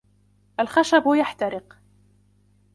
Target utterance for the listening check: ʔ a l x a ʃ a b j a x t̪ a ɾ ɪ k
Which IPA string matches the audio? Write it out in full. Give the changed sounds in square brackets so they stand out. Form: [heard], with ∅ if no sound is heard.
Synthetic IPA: ʔ a l x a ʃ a b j a [ħ] t̪ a ɾ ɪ [q]